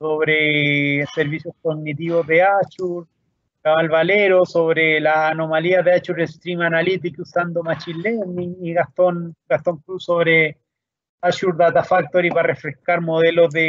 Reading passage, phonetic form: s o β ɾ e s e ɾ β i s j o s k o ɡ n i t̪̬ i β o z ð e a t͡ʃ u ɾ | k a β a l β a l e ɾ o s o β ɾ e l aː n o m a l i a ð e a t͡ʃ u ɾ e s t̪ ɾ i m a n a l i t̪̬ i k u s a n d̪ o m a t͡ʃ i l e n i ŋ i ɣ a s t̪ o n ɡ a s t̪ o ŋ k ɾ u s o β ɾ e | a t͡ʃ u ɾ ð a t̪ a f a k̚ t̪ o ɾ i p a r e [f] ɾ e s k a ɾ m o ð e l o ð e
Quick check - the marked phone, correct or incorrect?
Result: correct